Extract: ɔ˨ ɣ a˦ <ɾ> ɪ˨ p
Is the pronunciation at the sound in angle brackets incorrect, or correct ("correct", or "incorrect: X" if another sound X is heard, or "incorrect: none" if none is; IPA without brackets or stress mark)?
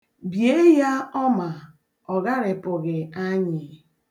correct